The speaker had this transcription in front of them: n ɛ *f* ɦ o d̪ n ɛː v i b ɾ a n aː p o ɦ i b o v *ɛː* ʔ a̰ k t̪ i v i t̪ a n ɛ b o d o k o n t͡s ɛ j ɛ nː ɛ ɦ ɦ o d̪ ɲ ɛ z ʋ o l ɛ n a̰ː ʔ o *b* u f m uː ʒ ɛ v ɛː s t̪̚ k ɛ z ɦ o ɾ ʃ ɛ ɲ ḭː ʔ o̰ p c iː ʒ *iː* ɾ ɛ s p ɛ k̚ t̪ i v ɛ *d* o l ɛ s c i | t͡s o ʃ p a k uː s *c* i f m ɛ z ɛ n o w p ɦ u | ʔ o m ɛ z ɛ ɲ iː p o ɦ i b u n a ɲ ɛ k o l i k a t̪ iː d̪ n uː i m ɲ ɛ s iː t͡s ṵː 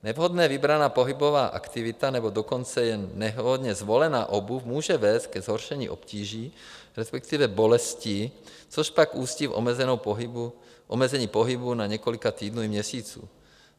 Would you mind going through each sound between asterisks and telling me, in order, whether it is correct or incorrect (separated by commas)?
incorrect, incorrect, correct, correct, incorrect, correct